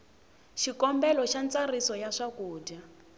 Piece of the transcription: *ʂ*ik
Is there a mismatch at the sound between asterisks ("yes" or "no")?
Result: yes